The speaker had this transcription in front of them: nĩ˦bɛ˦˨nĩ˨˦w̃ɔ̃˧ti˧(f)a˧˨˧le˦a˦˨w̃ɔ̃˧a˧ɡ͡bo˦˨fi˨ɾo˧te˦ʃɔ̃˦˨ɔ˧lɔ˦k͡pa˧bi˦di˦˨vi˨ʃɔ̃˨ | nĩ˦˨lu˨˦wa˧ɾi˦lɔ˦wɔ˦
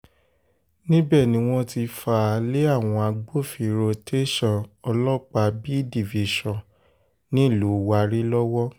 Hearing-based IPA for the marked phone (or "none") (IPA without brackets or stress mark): f